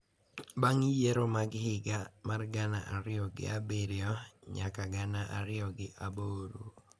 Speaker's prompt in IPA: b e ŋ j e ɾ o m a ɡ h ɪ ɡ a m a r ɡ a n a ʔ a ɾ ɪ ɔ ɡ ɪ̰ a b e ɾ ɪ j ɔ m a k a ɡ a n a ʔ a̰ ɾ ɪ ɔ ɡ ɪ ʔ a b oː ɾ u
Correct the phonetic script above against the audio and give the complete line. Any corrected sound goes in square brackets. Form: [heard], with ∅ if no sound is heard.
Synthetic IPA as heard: b [a] ŋ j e ɾ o m a ɡ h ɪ ɡ a m a r ɡ a n a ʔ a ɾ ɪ ɔ ɡ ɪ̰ a b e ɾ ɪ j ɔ [ɲ] a k a ɡ a n a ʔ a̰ ɾ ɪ ɔ ɡ ɪ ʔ a b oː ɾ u